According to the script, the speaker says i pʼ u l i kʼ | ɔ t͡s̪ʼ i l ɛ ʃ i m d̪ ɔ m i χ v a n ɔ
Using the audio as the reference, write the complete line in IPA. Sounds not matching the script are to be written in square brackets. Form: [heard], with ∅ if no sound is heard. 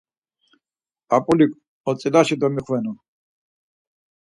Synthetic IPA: [a] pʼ u l i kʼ | ɔ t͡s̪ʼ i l [a] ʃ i [∅] d̪ ɔ m i χ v [ɛ] n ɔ